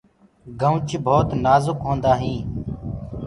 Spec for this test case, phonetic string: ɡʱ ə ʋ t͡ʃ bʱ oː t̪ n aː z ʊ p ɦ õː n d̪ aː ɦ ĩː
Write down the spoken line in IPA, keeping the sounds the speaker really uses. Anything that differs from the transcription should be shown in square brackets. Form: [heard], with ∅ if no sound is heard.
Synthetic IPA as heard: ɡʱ ə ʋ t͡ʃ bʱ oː t̪ n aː z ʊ [k] ɦ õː n d̪ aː ɦ ĩː